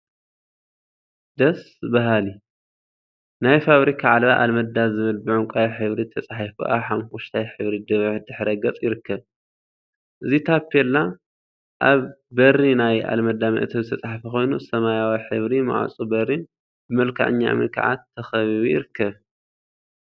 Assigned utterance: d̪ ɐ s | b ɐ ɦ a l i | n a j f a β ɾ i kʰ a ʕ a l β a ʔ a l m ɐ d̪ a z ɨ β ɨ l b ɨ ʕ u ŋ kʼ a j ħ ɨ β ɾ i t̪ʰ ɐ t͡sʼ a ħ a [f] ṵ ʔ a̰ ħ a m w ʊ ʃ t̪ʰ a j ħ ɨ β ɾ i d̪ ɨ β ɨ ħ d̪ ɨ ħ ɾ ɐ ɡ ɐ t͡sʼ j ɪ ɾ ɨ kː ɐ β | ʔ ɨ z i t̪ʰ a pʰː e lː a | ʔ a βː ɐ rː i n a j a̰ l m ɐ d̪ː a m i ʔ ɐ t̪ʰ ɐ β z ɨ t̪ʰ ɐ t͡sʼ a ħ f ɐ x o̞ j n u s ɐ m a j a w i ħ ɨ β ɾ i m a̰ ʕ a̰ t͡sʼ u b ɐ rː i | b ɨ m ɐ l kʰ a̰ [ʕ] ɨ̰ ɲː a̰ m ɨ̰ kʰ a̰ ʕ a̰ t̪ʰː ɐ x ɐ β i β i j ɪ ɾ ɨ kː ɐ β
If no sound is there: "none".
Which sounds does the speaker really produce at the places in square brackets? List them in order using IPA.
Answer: f, ʕ

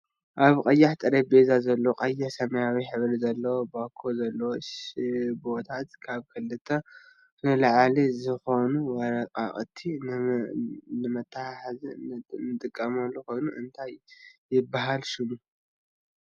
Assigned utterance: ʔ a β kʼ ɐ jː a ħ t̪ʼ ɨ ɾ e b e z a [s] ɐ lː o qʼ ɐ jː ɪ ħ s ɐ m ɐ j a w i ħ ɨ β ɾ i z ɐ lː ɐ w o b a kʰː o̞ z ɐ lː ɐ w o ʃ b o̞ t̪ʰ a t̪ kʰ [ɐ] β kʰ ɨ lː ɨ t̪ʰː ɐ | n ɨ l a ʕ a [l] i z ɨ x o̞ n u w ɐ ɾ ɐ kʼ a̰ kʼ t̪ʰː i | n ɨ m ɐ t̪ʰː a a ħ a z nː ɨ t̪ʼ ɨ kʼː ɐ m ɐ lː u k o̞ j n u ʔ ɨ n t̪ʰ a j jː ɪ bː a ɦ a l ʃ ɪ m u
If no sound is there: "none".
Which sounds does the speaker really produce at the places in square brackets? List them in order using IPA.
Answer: z, a, l

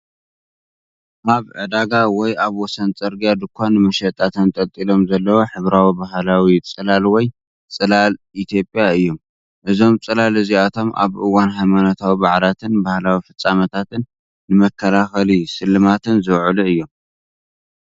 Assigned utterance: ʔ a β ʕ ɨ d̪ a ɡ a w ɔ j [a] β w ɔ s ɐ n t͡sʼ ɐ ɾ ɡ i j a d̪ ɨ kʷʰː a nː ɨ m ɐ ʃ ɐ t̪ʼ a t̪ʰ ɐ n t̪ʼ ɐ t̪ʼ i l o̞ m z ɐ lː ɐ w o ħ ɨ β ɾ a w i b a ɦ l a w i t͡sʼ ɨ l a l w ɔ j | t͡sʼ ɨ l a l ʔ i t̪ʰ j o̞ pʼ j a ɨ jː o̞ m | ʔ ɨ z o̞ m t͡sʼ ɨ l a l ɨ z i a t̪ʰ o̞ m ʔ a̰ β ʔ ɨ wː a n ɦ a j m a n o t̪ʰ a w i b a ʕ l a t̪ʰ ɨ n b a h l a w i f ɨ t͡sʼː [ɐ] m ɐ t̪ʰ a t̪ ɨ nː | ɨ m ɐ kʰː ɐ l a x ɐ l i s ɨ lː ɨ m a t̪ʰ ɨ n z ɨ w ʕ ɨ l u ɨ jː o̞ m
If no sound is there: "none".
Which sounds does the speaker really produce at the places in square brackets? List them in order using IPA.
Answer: a, a

